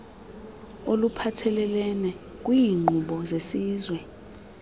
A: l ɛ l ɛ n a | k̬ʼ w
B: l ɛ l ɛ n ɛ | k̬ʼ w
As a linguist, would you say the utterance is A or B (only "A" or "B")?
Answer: B